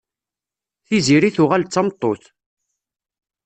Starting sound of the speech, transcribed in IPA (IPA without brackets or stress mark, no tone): θ